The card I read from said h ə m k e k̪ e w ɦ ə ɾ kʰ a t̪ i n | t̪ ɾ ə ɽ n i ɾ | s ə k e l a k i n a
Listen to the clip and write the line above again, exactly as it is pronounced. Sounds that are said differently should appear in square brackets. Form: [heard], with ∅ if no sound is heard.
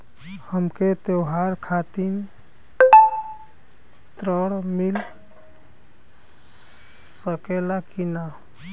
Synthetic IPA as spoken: h ə m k e [t̪] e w ɦ [a] ɾ kʰ a t̪ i n | t̪ ɾ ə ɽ [m] i [l] | s ə k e l a k i n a